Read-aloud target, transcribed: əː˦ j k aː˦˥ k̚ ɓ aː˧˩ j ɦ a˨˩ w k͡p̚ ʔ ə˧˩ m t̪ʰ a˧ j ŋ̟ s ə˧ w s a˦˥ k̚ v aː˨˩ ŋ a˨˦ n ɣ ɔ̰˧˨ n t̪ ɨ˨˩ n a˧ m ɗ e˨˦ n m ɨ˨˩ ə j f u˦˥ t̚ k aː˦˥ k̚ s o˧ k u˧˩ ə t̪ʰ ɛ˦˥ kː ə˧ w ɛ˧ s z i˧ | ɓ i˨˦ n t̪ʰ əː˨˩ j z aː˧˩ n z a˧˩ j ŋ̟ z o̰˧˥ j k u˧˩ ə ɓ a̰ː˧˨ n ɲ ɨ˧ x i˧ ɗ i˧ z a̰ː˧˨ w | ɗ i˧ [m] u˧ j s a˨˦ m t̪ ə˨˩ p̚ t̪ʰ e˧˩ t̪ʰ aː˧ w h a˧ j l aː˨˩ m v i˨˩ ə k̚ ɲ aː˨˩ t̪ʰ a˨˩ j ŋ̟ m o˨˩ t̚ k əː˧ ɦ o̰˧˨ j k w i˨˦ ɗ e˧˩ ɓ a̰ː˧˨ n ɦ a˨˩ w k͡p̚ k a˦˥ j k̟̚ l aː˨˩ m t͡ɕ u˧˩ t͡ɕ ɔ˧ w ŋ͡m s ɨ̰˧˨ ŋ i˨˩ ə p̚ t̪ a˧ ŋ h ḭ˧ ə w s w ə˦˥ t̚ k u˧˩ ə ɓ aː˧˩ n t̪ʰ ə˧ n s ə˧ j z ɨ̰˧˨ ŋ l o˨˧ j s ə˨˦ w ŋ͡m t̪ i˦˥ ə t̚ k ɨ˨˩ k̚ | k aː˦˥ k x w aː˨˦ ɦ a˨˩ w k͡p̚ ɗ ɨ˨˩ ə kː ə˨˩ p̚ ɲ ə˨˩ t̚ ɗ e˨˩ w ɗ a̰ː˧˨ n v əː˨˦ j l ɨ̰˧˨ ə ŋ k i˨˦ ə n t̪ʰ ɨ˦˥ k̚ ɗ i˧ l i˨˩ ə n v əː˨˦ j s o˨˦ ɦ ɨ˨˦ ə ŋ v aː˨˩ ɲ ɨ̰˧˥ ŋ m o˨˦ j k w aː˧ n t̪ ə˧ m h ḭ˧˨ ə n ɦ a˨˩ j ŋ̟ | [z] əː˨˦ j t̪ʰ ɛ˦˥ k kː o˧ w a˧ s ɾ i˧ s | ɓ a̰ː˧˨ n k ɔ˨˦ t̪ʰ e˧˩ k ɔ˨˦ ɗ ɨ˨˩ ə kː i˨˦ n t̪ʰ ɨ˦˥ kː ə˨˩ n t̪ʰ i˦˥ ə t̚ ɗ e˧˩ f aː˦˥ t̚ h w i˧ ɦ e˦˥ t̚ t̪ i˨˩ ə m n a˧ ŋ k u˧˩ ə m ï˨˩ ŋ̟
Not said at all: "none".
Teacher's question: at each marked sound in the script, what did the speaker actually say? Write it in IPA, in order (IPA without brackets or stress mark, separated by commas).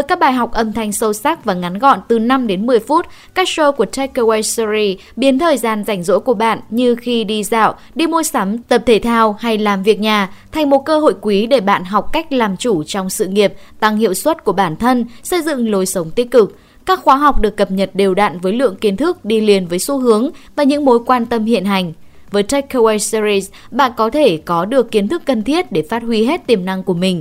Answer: m, v